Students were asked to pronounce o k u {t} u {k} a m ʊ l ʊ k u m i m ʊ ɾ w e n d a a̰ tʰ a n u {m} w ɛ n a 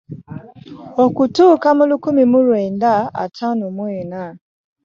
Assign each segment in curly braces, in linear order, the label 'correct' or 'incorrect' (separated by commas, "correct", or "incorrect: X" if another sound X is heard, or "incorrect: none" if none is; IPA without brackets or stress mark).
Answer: correct, correct, correct